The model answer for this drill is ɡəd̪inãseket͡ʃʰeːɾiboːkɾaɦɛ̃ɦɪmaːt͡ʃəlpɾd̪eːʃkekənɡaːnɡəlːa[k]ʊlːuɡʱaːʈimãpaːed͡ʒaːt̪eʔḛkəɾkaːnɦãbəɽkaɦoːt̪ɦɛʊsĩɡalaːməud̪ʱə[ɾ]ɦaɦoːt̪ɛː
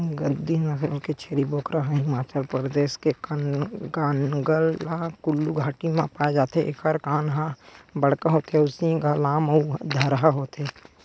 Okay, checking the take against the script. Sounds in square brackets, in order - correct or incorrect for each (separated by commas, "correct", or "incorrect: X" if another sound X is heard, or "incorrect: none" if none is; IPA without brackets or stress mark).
correct, correct